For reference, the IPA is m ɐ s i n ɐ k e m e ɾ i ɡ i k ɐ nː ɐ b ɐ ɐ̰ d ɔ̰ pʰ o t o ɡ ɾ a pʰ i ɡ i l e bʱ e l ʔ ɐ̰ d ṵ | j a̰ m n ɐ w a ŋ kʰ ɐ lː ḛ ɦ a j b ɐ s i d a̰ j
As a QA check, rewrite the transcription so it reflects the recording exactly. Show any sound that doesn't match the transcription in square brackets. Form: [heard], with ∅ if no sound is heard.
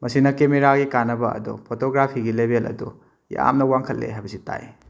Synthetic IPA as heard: m ɐ s i n ɐ k e m e ɾ [a] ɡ i k [a] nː ɐ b ɐ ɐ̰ d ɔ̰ pʰ o t o ɡ ɾ a pʰ i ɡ i l e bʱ e l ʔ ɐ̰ d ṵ | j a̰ m n ɐ w a ŋ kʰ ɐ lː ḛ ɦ a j b ɐ s i [t] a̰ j